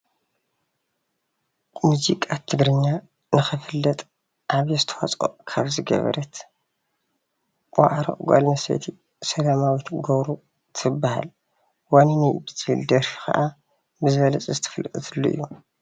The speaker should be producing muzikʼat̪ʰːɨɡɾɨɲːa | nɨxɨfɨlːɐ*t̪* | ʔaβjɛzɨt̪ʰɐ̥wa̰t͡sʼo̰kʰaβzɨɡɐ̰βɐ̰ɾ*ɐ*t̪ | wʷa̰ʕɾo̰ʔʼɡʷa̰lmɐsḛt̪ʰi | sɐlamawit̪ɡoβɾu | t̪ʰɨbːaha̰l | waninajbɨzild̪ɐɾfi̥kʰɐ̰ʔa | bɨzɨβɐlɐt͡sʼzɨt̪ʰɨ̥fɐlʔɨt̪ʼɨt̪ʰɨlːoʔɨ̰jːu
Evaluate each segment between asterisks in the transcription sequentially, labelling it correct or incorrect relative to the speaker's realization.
incorrect: t̪ʼ, correct

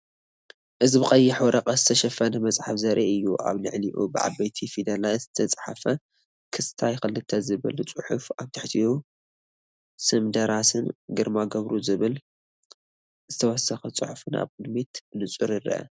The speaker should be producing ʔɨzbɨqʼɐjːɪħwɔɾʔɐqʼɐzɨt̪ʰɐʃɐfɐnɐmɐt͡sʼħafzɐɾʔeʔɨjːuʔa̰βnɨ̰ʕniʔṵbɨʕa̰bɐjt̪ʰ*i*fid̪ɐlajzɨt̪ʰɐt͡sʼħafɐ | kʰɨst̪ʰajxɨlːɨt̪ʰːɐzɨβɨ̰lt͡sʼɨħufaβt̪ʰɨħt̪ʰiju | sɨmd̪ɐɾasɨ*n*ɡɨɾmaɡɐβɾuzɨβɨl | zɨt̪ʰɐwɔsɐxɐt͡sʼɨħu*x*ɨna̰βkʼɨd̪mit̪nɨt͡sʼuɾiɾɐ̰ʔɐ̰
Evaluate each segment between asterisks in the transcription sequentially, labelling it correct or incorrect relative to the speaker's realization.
correct, correct, incorrect: f

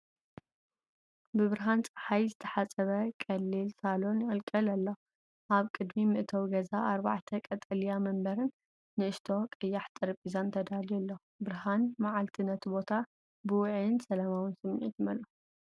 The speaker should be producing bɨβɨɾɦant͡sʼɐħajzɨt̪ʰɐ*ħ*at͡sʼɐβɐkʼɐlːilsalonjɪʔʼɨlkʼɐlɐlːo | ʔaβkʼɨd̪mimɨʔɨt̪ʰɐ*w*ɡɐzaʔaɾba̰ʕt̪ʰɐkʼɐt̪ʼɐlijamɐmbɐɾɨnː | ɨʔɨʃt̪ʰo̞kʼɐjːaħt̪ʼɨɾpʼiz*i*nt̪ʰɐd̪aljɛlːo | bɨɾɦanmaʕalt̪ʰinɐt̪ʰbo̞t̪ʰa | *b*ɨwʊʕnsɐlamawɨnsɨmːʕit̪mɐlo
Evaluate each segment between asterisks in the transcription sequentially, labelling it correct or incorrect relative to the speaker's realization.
correct, correct, incorrect: a, correct

